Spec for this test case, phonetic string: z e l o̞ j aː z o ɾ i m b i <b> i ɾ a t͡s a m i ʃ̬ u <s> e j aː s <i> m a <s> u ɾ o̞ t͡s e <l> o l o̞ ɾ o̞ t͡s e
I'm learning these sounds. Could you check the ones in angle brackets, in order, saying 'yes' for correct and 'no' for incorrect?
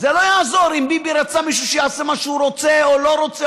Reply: yes, no, no, no, no

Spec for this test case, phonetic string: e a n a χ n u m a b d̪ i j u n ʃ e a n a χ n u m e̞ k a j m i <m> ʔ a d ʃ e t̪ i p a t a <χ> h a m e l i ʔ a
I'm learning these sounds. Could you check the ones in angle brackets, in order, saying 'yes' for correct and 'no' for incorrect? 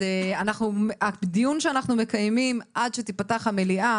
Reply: yes, yes

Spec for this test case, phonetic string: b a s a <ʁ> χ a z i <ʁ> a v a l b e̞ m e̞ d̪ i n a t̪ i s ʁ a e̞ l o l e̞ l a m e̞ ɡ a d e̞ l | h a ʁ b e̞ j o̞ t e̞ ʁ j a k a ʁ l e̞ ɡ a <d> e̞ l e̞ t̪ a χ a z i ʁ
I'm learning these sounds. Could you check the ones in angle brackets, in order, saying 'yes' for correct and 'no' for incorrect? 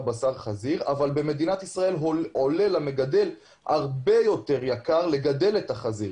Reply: yes, yes, yes

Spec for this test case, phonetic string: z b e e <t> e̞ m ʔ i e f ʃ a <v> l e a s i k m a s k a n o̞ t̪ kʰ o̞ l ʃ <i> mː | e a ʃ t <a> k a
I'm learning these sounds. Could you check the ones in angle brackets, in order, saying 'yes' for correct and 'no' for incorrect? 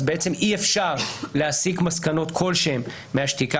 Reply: no, no, no, no

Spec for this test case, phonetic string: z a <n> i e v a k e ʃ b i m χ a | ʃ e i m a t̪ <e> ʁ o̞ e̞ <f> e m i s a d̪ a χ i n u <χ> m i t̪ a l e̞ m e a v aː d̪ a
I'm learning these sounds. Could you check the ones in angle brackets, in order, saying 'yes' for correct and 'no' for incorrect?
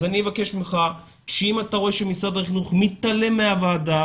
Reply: yes, no, no, yes

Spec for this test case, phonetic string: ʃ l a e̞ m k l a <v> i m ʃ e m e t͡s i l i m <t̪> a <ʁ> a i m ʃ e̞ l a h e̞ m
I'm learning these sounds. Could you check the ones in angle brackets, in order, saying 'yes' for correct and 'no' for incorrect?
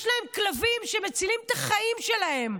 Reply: yes, yes, no

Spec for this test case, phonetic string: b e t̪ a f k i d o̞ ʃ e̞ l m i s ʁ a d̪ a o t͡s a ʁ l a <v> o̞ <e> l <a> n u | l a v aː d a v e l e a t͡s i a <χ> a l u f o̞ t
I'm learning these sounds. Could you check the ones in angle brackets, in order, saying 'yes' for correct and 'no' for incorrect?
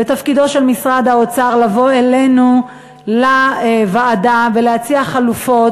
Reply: yes, yes, no, yes

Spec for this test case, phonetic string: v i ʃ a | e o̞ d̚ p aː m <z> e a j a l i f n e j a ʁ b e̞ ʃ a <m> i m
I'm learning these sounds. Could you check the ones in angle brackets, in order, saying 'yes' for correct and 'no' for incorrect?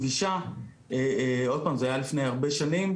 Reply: yes, no

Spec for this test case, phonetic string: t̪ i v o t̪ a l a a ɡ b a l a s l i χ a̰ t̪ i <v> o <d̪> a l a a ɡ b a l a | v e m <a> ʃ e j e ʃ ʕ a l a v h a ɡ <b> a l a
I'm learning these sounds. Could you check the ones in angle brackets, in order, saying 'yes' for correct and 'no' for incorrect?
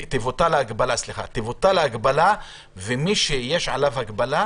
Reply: yes, no, no, yes

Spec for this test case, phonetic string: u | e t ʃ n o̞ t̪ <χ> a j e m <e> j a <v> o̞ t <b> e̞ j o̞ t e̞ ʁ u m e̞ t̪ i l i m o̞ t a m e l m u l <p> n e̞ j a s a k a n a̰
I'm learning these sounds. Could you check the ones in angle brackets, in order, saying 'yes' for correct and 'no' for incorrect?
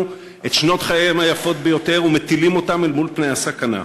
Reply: yes, no, no, yes, yes

